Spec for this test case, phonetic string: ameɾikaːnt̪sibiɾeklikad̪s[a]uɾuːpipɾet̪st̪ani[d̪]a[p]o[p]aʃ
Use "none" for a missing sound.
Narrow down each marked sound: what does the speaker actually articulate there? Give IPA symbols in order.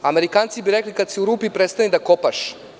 i, d̪, k, p

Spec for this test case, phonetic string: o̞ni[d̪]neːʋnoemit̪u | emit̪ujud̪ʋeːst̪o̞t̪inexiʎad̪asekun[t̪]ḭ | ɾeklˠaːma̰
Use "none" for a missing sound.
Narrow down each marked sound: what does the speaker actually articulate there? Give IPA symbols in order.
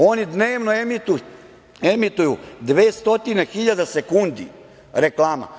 d̪, d̪

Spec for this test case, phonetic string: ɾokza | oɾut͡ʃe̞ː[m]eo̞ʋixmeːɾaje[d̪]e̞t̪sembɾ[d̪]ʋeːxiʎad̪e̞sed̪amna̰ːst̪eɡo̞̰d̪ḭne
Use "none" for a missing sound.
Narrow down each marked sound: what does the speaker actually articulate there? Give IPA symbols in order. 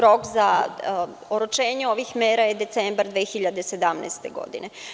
ɲ, d̪, d̪

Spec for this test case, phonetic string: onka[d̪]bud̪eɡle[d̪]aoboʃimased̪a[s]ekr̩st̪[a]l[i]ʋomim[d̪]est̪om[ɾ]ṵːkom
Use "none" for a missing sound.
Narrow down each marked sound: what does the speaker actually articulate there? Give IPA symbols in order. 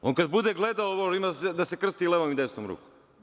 d̪, d̪, s, i, e, d̪, ɾ

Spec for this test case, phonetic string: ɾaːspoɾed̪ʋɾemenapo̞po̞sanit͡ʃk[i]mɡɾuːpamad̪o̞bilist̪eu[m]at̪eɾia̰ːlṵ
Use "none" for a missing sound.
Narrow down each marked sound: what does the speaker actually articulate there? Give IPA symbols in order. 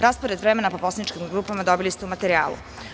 i, m

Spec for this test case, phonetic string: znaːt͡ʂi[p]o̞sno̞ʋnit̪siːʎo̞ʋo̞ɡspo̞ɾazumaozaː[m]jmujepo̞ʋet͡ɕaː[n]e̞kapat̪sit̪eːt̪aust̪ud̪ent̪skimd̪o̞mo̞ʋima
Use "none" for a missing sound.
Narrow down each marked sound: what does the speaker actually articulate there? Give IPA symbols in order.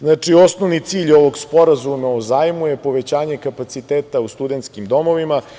none, none, ɲ

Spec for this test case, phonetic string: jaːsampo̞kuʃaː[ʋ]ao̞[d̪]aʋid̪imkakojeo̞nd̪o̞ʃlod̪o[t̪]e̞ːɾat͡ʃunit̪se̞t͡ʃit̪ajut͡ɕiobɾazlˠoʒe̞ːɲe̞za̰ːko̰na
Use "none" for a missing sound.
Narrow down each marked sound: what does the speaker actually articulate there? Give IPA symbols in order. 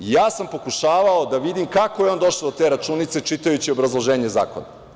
ʋ, d̪, t̪

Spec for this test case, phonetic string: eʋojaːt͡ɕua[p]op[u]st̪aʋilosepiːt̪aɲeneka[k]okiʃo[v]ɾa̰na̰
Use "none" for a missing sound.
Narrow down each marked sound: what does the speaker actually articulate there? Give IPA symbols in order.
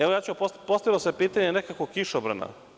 p, o, k, b

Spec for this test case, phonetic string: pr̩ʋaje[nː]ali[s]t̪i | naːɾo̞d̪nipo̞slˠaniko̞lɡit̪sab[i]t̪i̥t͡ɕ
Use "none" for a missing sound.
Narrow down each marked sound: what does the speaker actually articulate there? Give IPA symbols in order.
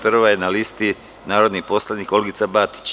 n, s, a

